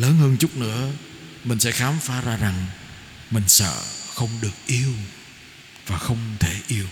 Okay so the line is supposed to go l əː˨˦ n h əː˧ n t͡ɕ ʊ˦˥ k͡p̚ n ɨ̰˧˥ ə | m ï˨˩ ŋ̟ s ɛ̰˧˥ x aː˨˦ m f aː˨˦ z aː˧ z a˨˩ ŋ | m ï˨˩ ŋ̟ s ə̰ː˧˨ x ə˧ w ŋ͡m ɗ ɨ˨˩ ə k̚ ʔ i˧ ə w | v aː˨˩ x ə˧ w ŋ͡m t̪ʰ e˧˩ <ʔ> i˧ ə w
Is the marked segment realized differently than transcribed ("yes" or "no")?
no